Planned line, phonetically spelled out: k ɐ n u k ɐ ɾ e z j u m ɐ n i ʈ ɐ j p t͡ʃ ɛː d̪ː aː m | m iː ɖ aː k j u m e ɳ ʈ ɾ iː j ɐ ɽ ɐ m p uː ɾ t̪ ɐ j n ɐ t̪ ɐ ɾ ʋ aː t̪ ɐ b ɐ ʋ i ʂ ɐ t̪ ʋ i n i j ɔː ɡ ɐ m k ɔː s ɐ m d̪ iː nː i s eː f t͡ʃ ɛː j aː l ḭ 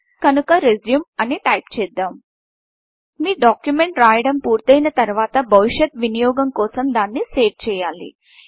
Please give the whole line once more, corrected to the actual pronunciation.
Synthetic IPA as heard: k ɐ n u k ɐ ɾ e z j u m ɐ n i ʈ ɐ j p t͡ʃ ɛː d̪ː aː m | m iː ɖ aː k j u m e ɳ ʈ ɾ aː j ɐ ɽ ɐ m p uː ɾ t̪ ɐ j n ɐ t̪ ɐ ɾ ʋ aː t̪ ɐ b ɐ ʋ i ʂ ɐ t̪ ʋ i n i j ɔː ɡ ɐ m k ɔː s ɐ m d̪ aː nː i s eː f t͡ʃ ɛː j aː l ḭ

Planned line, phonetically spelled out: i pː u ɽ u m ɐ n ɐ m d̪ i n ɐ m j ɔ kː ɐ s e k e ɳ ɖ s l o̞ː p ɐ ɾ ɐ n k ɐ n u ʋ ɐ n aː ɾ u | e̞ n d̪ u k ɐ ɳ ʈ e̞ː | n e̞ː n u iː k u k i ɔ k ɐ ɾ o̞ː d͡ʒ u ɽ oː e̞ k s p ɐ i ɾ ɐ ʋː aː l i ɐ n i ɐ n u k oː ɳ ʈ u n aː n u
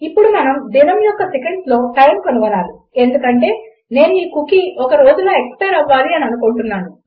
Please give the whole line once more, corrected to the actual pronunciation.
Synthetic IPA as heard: i pː u ɽ u m ɐ n ɐ m d̪ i n ɐ m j ɔ kː ɐ s e k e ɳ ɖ s l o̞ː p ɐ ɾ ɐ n k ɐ n u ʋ ɐ n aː ɾ u | e̞ n d̪ u k ɐ ɳ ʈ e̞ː | n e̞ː n u iː k u k i ɔ k ɐ ɾ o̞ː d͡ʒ u l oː e̞ k s p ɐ j ɾ ɐ ʋː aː l i ɐ n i ɐ n u k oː ɳ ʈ u nː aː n u

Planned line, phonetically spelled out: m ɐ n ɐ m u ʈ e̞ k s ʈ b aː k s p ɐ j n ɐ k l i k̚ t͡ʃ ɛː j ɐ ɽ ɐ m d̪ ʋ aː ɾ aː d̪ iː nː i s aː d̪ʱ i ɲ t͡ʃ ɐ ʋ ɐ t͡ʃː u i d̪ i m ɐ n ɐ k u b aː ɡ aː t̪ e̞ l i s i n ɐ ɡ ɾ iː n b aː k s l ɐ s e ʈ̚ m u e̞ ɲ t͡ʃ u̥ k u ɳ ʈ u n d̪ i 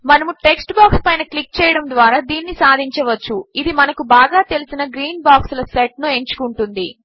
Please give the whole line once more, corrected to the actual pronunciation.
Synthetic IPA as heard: m ɐ n ɐ m u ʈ e̞ k s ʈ b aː k s p ɐ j n ɐ k l i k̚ t͡ʃ ɛː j ɐ ɽ ɐ m d̪ ʋ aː ɾ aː d̪ iː nː i s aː d̪ʱ i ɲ t͡ʃ ɐ ʋ ɐ t͡ʃː u i d̪ i m ɐ n ɐ k u b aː ɡ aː t̪ e̞ l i s i n ɐ ɡ ɾ iː n b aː k s l ɐ s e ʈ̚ n u e̞ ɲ t͡ʃ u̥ k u ɳ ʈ u n d̪ i

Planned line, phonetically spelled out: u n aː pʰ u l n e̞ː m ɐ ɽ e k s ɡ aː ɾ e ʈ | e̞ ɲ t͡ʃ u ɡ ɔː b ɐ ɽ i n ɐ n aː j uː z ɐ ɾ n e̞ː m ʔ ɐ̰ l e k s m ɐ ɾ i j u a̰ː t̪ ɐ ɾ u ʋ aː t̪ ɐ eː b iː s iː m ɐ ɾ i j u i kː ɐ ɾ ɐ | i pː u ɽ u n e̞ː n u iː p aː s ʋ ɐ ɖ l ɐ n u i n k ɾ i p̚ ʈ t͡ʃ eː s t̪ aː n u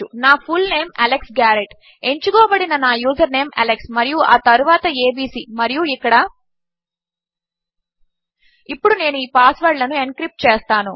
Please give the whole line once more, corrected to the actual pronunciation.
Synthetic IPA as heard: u n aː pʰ u l n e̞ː m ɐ l e k s ɡ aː ɾ e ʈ | e̞ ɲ t͡ʃ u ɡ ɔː b ɐ ɽ i n ɐ n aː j uː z ɐ ɾ n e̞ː m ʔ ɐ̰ l e k s m ɐ ɾ i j u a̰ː t̪ ɐ ɾ u ʋ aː t̪ ɐ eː b iː s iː m ɐ ɾ i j u i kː ɐ ɽ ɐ | i pː u ɽ u n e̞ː n u iː p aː s ʋ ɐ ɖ l ɐ n u e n k ɾ i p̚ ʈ t͡ʃ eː s t̪ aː n u

